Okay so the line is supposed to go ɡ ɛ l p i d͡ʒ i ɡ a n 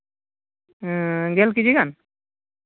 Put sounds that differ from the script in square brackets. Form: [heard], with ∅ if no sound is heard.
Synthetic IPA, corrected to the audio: ɡ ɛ l [k] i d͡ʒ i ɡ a n